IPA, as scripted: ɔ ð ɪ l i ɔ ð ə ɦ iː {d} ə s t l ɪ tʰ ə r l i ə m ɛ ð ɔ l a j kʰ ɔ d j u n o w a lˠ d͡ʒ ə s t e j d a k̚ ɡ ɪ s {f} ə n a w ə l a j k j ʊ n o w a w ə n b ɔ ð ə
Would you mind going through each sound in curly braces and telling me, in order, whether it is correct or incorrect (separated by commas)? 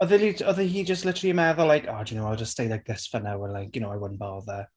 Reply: incorrect, correct